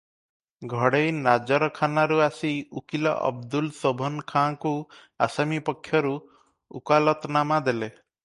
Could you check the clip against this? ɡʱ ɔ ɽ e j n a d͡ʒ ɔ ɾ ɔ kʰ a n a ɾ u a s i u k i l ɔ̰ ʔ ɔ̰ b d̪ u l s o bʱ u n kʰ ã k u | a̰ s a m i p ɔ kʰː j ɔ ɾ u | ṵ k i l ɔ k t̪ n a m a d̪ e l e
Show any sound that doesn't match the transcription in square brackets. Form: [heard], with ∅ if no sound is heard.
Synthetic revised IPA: ɡʱ ɔ ɽ e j n a d͡ʒ ɔ ɾ ɔ kʰ a n a ɾ u a s i u k i l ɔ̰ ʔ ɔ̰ b d̪ u l s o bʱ [ɔ] n kʰ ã k u | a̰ s a m i p ɔ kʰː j ɔ ɾ u | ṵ k [a] l ɔ [∅] t̪ n a m a d̪ e l e